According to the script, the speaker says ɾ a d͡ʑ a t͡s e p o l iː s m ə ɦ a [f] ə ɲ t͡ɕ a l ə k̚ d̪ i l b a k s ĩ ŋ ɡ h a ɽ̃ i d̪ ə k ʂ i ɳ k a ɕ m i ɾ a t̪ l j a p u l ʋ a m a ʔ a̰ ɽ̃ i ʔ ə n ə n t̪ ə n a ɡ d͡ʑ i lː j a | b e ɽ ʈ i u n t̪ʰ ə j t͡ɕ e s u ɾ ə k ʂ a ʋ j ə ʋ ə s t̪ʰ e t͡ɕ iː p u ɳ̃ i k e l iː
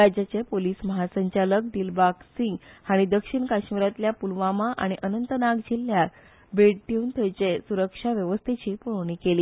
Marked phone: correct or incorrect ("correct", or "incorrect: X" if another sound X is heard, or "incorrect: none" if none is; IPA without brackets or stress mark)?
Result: incorrect: s